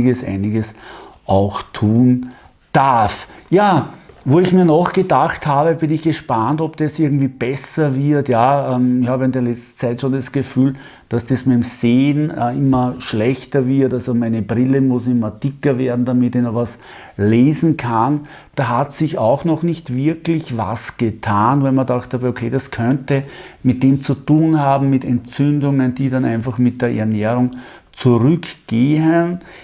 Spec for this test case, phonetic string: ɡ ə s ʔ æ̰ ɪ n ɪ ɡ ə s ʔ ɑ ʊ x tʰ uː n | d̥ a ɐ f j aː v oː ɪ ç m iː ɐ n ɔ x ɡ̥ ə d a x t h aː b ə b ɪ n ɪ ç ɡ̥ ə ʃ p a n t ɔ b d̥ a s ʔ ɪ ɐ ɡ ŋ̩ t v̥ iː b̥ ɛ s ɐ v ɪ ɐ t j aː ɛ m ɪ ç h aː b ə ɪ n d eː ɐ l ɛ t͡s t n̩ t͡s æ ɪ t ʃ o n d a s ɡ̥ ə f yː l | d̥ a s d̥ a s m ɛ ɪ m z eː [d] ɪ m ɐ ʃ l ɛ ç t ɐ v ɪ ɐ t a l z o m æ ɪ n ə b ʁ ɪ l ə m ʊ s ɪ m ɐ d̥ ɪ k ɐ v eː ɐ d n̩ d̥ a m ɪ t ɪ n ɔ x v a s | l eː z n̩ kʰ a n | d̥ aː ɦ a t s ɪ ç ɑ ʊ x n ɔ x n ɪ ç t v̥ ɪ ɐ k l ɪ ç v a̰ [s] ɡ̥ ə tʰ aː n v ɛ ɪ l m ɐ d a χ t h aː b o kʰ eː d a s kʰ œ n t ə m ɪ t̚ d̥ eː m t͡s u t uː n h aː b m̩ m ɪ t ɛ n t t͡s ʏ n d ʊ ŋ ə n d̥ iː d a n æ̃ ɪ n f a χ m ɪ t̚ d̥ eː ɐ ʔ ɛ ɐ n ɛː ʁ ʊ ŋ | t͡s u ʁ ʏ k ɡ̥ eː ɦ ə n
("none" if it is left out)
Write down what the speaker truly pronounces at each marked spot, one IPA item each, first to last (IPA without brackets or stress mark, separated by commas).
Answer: n, s